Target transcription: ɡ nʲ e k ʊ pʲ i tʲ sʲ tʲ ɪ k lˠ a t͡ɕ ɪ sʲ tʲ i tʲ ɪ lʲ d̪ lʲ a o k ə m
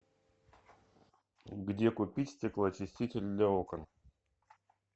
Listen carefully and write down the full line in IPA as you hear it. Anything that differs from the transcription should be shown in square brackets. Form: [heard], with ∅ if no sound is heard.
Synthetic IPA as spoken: ɡ [dʲ] e k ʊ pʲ i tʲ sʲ tʲ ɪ k lˠ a t͡ɕ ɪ sʲ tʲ i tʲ ɪ lʲ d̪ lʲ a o k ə [n]